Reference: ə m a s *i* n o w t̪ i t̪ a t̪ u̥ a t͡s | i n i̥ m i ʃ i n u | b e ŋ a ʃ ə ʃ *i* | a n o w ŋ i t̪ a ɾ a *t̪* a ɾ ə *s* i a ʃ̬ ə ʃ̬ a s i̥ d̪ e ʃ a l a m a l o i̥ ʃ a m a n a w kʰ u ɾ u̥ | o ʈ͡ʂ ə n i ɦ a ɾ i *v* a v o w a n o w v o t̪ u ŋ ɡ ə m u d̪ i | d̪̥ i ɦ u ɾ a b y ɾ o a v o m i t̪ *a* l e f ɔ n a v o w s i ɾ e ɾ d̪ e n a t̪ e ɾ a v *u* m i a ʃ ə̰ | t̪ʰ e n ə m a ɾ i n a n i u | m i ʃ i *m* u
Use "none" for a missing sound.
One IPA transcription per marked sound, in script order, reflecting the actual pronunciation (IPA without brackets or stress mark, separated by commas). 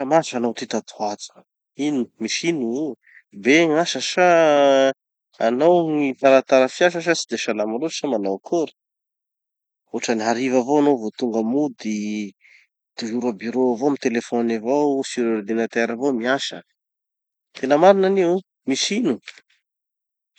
a, a, t̪, f, v, e, o, n